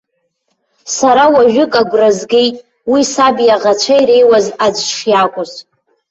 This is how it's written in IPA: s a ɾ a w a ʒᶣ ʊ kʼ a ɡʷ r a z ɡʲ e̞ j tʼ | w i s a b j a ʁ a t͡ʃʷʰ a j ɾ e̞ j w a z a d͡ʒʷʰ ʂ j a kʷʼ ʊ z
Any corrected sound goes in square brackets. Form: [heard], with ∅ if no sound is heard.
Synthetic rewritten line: s a ɾ a w a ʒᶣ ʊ kʼ a ɡʷ r a z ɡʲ e̞ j tʼ | w i s a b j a ʁ a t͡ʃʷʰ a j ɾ e̞ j w a z a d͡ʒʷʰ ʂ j a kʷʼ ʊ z